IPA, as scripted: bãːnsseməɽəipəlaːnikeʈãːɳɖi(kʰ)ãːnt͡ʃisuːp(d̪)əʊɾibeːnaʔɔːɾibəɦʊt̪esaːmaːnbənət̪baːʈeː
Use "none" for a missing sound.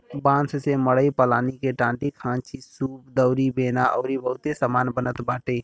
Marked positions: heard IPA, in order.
kʰ, d̪

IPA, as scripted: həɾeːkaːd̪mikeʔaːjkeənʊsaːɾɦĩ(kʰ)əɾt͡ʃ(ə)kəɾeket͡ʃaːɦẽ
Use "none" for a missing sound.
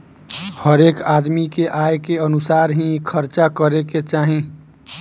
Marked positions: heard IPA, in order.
kʰ, a

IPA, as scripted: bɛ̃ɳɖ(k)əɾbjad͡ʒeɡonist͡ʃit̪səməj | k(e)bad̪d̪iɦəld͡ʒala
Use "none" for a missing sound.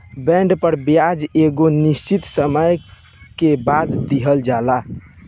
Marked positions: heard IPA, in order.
p, e

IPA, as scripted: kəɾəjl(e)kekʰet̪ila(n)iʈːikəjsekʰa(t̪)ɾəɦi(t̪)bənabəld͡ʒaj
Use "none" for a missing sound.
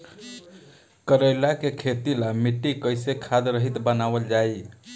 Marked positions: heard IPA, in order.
a, m, d̪, t̪

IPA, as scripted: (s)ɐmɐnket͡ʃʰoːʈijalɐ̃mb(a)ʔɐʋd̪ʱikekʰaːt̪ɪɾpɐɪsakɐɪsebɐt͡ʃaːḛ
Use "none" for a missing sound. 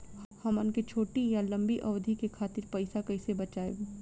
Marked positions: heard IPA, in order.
h, i

